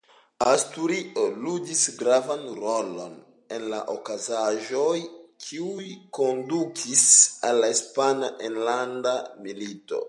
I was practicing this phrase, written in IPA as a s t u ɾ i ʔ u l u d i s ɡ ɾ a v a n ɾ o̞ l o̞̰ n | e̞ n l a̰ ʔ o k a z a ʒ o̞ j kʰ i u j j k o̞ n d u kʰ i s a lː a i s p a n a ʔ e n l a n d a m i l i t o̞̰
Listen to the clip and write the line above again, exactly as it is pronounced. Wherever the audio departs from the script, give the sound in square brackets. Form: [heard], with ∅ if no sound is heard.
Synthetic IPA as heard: a s t u ɾ i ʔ [o] l u d i s ɡ ɾ a v a n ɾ o̞ l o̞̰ n | e̞ n l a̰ ʔ o k a z a ʒ o̞ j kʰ i u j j k o̞ n d u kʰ i s a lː a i s p a n a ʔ e n l a n d a m i l i t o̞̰